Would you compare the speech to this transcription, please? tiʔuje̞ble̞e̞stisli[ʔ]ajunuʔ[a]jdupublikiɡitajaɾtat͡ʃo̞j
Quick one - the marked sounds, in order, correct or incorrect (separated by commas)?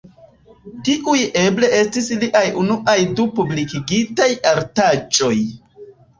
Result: correct, correct